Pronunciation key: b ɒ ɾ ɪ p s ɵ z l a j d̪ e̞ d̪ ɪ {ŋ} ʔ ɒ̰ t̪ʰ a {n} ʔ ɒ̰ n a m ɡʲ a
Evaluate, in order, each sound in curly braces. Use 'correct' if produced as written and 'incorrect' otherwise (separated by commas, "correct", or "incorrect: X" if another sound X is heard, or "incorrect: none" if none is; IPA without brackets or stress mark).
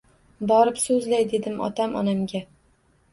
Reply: incorrect: m, incorrect: m